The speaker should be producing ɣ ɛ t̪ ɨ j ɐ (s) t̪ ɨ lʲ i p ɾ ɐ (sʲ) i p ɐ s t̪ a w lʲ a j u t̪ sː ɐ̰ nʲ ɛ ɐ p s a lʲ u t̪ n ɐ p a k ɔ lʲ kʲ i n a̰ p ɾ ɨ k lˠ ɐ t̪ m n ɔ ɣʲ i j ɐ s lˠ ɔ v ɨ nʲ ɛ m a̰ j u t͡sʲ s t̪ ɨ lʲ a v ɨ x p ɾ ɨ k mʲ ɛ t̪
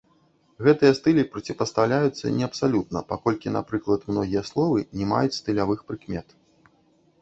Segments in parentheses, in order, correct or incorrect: correct, incorrect: t͡sʲ

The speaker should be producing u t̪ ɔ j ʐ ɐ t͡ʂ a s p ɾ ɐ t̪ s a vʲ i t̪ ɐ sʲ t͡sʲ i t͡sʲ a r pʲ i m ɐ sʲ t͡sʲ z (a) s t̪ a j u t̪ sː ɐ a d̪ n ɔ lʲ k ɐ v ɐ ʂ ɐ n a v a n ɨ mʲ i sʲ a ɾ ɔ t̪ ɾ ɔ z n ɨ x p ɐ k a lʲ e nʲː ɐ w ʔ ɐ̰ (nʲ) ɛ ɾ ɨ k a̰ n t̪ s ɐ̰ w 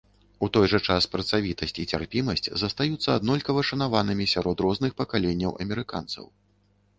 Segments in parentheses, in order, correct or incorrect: incorrect: ɐ, incorrect: mʲ

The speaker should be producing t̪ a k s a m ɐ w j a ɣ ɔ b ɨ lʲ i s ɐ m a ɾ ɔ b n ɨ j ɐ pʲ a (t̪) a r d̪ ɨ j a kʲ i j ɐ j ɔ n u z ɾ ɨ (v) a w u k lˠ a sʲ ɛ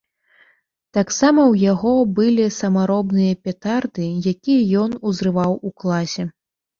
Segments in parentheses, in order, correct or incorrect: correct, correct

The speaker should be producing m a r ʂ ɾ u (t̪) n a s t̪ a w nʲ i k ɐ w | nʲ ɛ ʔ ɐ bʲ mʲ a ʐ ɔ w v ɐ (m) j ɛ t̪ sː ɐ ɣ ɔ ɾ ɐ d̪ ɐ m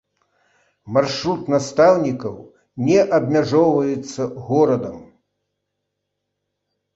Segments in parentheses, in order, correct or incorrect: correct, incorrect: none

